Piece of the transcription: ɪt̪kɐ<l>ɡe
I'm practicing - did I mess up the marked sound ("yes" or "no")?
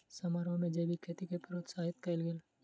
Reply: no